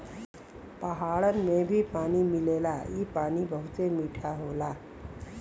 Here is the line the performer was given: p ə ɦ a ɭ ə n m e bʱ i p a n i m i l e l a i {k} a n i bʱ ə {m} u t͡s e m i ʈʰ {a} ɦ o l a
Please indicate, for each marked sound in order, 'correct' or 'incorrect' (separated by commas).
incorrect, incorrect, correct